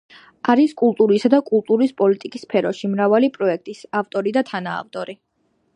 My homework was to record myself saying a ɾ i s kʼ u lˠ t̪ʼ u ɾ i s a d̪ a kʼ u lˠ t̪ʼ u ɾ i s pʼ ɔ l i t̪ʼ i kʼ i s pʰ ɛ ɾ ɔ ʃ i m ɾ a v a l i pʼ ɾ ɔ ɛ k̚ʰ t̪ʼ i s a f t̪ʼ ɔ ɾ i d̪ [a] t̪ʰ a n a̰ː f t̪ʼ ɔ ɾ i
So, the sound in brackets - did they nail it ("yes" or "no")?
yes